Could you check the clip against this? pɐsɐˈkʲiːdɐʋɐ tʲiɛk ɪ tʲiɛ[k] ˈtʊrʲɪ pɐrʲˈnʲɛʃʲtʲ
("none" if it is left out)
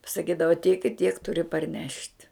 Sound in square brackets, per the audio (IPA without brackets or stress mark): k